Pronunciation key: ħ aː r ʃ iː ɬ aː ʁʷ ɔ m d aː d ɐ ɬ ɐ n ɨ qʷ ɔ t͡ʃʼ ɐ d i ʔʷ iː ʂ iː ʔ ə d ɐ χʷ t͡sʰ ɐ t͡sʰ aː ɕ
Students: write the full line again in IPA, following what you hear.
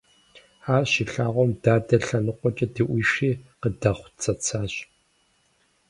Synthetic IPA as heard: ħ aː r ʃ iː ɬ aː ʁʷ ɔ m d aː d ɐ ɬ ɐ n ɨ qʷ ɔ t͡ʃʼ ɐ d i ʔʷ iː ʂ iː q ə d ɐ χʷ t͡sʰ ɐ t͡sʰ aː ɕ